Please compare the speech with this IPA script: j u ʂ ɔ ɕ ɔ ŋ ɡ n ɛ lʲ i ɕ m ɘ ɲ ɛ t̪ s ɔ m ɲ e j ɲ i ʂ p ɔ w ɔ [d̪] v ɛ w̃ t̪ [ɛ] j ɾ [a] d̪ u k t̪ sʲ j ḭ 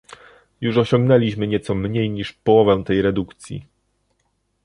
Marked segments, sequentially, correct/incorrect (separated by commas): incorrect, correct, incorrect